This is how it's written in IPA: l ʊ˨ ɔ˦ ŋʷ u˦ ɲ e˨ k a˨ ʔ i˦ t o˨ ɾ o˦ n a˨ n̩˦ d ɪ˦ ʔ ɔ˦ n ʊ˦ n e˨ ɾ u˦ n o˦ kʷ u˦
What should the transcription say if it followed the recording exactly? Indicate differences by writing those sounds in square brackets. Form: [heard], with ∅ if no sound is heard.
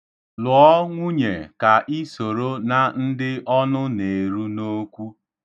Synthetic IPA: l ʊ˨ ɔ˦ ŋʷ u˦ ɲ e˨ k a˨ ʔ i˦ [s] o˨ ɾ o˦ n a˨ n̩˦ d ɪ˦ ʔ ɔ˦ n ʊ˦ n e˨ ɾ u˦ n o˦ kʷ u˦